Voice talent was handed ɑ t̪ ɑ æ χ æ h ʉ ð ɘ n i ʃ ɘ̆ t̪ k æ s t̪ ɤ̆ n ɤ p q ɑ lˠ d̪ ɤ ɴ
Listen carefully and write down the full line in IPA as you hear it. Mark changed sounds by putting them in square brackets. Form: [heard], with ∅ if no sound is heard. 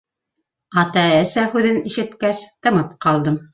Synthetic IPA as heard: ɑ t̪ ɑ æ [s] æ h ʉ ð ɘ n i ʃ ɘ̆ t̪ k æ s t̪ ɤ̆ [m] ɤ p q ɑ lˠ d̪ ɤ [m]

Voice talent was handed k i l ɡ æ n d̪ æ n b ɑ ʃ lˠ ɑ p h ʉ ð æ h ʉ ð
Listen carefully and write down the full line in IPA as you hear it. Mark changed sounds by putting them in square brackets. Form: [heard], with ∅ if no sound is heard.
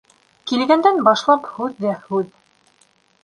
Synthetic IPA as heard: k i l ɡ æ n d̪ æ n b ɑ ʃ lˠ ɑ p h ʉ [ðː] æ h ʉ ð

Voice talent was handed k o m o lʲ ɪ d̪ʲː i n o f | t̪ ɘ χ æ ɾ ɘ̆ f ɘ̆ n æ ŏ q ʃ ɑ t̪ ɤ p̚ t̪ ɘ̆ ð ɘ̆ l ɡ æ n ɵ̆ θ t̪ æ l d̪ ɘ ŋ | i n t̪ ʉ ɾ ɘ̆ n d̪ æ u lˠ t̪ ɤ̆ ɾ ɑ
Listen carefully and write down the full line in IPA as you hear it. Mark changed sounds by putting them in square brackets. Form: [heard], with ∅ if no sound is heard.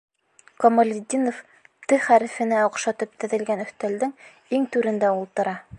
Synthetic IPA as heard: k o m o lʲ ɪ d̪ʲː i n o f | t̪ ɘ χ æ ɾ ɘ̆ f ɘ̆ n æ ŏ q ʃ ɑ t̪ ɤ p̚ t̪ ɘ̆ ð ɘ̆ l ɡ æ n ɵ̆ θ t̪ æ l d̪ ɘ ŋ | i [ŋ] t̪ ʉ ɾ ɘ̆ n d̪ æ u lˠ t̪ ɤ̆ ɾ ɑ

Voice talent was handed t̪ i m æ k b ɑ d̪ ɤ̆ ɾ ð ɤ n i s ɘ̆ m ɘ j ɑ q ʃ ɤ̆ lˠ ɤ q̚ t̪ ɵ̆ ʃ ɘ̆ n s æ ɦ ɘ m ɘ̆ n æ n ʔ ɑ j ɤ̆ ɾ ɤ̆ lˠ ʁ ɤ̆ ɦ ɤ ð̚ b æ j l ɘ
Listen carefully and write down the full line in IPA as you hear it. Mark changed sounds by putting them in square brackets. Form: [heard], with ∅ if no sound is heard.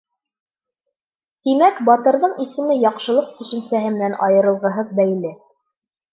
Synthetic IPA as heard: t̪ i m æ k b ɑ [t̪] ɤ̆ ɾ ð ɤ [ɴ] i s ɘ̆ m ɘ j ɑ q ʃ ɤ̆ lˠ ɤ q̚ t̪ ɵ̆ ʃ ɘ̆ n s æ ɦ ɘ m ɘ̆ n æ n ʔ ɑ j ɤ̆ ɾ ɤ̆ lˠ ʁ ɤ̆ ɦ ɤ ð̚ b æ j l ɘ

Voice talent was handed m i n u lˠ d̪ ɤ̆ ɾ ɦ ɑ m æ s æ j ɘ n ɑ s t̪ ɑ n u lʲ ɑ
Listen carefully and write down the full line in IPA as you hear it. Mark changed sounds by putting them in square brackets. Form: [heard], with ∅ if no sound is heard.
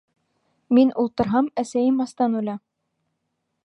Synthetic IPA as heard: m i n u lˠ [t̪] ɤ̆ ɾ ɦ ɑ m æ s æ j ɘ [m] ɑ s t̪ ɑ n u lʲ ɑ

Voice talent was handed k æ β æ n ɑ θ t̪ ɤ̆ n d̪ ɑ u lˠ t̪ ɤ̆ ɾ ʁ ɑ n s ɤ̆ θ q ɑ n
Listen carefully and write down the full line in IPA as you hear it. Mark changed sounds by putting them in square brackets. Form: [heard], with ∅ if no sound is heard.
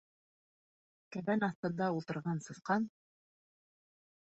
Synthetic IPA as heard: k æ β æ n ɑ θ t̪ ɤ̆ n d̪ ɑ u lˠ t̪ ɤ̆ ɾ ʁ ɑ n s ɤ̆ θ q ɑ n

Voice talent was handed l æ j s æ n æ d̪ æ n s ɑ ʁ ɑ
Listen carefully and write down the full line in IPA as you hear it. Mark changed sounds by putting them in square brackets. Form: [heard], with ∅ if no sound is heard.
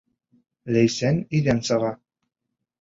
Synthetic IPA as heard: l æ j s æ n [i] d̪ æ n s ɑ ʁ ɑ

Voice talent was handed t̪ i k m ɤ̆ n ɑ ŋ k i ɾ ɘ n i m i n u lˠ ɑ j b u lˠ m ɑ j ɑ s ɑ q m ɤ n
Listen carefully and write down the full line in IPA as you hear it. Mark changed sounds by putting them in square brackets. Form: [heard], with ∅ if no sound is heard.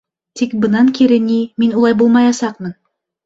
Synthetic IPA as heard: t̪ i k [b] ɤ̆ n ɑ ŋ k i ɾ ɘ n i m i n u lˠ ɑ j b u lˠ m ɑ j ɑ s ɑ q m ɤ n

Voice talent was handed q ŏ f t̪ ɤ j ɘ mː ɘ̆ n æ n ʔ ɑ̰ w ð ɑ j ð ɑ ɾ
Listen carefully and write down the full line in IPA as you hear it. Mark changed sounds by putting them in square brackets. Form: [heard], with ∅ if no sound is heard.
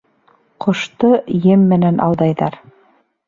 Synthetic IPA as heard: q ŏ [ʃ] t̪ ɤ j ɘ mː ɘ̆ n æ n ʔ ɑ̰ w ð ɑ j ð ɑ ɾ

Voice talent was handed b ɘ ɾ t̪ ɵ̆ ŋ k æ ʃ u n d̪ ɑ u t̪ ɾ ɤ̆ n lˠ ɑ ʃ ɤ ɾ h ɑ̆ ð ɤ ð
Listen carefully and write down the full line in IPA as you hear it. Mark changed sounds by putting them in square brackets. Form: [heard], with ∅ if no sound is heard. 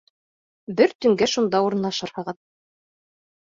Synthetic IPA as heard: b ɘ ɾ t̪ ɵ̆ ŋ [ɡ] æ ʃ u n d̪ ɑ u [∅] ɾ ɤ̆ n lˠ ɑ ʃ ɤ ɾ h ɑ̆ [ʁ] ɤ ð

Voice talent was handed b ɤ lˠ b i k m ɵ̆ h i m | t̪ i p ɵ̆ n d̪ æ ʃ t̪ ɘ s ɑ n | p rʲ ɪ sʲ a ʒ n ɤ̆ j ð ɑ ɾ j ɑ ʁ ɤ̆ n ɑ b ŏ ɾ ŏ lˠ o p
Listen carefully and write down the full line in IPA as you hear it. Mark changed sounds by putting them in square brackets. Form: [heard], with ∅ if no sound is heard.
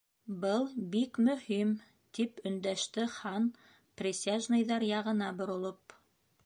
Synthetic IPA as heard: b ɤ lˠ b i k m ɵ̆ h i m | t̪ i p ɵ̆ n d̪ æ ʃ t̪ ɘ [χ] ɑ n | p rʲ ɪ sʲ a ʒ n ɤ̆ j ð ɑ ɾ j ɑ ʁ ɤ̆ n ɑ b ŏ ɾ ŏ lˠ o p

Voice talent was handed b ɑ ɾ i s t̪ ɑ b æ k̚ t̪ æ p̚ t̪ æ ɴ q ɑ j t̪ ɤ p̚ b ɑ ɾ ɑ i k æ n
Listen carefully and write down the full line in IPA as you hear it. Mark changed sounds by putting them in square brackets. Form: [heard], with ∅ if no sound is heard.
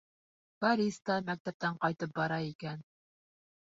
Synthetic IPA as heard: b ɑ ɾ i s t̪ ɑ [m] æ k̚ t̪ æ p̚ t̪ æ ɴ q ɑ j t̪ ɤ p̚ b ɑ ɾ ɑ i k æ n

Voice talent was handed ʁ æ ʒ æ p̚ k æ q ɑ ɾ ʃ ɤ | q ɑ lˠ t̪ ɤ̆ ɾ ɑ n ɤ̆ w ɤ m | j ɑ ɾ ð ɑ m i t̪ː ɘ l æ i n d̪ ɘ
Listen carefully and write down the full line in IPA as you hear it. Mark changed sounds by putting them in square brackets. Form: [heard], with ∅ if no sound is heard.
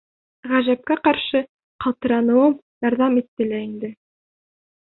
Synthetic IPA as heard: ʁ æ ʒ æ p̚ k æ q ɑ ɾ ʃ ɤ | q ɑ lˠ t̪ ɤ̆ ɾ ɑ n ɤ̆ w ɤ m | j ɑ ɾ ð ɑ m i t̪ː ɘ l æ i n d̪ ɘ

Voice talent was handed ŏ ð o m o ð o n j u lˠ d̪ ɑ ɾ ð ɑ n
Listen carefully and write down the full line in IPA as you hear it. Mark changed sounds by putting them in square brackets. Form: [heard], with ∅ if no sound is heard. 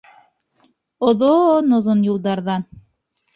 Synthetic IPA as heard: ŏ ð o [n] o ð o n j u lˠ d̪ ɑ ɾ ð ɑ n

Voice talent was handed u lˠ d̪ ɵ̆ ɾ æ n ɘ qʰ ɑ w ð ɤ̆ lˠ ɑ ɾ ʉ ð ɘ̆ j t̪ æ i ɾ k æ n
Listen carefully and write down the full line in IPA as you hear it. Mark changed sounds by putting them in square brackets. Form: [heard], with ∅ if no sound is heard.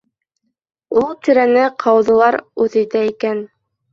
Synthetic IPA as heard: u lˠ [t̪] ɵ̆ ɾ æ n ɘ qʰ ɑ w ð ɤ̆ lˠ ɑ ɾ ʉ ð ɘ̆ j t̪ æ i [∅] k æ n

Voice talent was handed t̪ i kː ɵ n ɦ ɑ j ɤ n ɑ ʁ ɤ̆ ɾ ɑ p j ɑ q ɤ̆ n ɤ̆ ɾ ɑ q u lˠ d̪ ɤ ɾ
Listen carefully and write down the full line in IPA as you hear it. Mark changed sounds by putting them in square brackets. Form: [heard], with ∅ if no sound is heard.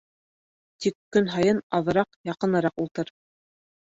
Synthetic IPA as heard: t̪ i kː ɵ n ɦ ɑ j ɤ n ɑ [ð] ɤ̆ ɾ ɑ [q] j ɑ q ɤ̆ n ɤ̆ ɾ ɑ q u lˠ [t̪] ɤ ɾ

